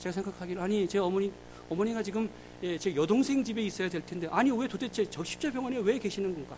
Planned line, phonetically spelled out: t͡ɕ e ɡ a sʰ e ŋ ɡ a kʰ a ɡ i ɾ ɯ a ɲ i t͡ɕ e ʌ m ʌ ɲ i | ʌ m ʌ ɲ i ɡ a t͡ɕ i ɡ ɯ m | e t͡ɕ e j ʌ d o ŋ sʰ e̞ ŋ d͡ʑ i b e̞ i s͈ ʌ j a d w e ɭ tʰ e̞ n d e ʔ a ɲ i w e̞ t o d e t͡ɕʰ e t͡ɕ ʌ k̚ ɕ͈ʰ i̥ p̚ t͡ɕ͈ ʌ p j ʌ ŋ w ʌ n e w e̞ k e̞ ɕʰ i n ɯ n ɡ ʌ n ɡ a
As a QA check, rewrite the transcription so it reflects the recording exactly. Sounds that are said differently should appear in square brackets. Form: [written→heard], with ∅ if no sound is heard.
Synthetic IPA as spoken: t͡ɕ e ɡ a sʰ e ŋ ɡ a kʰ a ɡ i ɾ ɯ a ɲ i t͡ɕ e ʌ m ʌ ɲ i | ʌ m ʌ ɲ i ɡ a t͡ɕ i ɡ ɯ m | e t͡ɕ e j ʌ d o ŋ sʰ e̞ ŋ d͡ʑ i b e̞ i s͈ ʌ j a d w e ɭ tʰ e̞ n d e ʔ a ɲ i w e̞ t o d e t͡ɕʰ e t͡ɕ ʌ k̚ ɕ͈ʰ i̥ p̚ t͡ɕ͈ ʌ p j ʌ ŋ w ʌ n e w e̞ k e̞ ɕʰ i n ɯ n ɡ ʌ n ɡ a